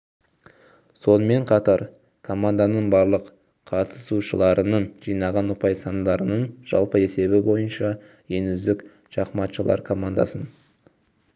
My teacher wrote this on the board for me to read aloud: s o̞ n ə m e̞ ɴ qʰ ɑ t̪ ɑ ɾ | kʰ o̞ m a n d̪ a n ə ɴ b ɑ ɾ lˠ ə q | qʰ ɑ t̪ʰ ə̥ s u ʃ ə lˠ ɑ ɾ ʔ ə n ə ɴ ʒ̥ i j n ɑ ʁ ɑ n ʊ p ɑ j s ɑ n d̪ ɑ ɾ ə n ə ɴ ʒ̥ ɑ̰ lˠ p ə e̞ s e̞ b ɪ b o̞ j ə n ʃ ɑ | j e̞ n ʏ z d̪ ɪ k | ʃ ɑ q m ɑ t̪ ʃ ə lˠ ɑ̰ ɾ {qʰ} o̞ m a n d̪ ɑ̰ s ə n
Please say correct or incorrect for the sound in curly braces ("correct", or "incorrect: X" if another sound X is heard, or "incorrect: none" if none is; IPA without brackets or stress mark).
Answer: incorrect: kʰ